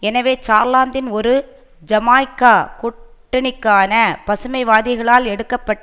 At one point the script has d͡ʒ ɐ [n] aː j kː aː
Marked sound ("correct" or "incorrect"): incorrect